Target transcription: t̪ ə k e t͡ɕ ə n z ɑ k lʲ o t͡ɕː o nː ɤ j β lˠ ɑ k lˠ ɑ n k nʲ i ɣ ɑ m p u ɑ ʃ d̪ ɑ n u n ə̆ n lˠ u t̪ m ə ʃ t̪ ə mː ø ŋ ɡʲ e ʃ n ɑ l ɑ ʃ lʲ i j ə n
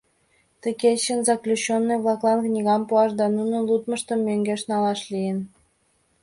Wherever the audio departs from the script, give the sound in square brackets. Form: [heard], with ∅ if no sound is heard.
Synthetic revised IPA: t̪ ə k e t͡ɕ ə n z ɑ k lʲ [u] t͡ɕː o nː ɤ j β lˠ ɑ k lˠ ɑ n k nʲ i ɣ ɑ m p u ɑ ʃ d̪ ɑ n u n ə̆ n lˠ u t̪ m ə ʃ t̪ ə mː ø ŋ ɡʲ e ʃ n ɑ l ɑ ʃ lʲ i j ə n